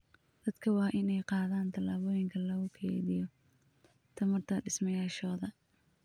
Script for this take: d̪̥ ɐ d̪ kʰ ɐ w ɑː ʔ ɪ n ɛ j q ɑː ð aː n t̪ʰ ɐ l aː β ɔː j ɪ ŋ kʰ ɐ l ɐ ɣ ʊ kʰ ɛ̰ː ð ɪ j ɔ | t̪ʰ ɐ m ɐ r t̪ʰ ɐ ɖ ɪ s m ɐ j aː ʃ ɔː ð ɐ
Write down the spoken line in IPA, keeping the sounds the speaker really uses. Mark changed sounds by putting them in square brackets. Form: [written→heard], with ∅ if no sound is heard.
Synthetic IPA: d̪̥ ɐ d̪ kʰ ɐ w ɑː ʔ ɪ n ɛ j q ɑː ð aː n t̪ʰ ɐ l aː β ɔː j ɪ ŋ kʰ ɐ l ɐ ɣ ʊ kʰ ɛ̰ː ð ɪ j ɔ | t̪ʰ ɐ m ɐ r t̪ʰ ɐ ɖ ɪ s m ɐ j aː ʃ ɔː ð ɐ